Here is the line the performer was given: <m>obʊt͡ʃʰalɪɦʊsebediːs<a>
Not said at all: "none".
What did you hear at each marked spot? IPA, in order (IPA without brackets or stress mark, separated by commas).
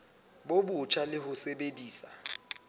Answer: b, a